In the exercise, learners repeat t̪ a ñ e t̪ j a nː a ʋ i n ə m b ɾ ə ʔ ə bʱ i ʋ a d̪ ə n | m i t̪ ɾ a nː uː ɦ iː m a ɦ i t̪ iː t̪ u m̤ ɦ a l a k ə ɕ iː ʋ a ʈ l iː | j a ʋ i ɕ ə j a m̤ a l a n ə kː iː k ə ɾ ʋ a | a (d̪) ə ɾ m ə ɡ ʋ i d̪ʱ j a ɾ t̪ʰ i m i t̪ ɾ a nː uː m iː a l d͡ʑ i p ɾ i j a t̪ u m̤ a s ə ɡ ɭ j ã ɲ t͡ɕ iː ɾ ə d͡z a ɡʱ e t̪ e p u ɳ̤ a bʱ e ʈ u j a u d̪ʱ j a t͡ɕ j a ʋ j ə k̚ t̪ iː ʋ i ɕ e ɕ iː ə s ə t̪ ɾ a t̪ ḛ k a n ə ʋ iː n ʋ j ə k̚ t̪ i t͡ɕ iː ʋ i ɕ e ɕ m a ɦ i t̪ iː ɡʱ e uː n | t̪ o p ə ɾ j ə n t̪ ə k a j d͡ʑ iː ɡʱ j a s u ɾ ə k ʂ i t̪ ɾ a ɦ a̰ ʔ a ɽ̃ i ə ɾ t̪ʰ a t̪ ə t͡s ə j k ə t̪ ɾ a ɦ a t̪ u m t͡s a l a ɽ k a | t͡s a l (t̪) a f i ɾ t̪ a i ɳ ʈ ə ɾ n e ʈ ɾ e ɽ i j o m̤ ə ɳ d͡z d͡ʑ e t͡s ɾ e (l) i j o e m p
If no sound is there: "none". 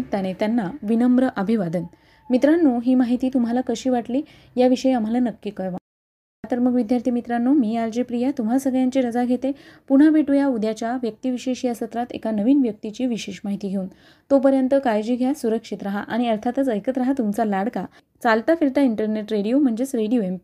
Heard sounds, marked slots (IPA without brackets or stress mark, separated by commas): t̪, t̪, ɽ